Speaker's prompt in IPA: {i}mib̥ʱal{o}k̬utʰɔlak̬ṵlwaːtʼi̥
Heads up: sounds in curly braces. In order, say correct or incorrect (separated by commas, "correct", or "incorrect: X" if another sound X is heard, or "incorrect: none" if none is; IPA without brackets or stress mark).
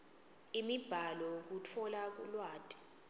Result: correct, incorrect: ɔ